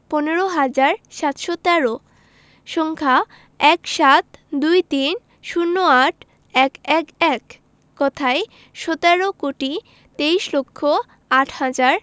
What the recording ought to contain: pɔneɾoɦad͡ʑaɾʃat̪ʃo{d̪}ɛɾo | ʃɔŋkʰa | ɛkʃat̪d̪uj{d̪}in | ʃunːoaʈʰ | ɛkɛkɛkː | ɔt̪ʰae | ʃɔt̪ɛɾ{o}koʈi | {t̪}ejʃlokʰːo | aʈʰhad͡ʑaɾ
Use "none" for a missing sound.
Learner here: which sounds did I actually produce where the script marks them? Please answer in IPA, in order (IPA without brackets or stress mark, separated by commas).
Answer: t̪, t̪, o, t̪